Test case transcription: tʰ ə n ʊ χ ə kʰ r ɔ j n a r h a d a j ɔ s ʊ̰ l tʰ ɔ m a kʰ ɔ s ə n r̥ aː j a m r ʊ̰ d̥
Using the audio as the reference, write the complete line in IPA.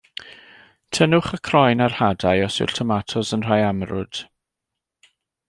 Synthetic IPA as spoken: tʰ ə n ʊ χ ə kʰ r ɔ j n a r h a d a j ɔ s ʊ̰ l tʰ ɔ m a tʰ ɔ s ə n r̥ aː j a m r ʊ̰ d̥